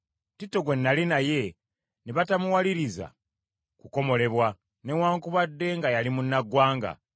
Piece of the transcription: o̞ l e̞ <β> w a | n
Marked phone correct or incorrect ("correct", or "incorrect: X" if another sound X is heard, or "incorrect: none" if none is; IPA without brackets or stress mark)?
correct